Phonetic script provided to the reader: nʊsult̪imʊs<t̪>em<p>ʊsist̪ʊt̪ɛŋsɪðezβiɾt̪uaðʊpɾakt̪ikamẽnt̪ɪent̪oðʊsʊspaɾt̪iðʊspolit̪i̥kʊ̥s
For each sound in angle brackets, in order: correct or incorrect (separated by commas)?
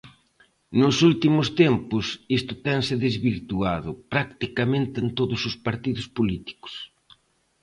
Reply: correct, correct